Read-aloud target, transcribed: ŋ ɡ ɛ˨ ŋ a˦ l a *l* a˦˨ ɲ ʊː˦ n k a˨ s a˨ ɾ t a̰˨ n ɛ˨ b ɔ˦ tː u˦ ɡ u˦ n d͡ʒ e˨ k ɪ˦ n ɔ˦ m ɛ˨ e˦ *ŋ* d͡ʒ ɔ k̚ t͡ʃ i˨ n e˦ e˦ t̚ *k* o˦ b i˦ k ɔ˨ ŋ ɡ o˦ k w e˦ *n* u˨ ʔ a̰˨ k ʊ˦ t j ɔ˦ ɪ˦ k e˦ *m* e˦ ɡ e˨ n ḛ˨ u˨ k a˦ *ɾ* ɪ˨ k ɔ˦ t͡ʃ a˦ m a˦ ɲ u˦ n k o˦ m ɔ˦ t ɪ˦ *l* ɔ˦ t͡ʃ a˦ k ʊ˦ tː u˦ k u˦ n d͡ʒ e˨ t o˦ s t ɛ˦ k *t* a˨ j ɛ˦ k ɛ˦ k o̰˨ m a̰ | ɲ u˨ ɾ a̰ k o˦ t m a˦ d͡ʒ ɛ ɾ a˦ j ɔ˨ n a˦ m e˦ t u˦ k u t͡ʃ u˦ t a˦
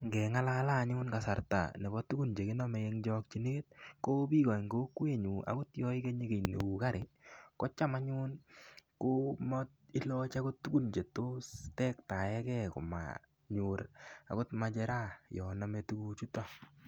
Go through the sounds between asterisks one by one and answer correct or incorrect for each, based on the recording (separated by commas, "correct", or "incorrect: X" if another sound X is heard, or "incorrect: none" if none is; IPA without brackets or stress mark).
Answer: correct, correct, correct, incorrect: ɲ, incorrect: ɲ, correct, correct, correct